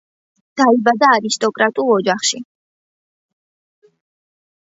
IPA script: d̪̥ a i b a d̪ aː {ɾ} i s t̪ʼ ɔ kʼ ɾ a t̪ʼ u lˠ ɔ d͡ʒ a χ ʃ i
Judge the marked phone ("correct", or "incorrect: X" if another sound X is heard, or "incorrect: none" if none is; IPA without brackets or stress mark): correct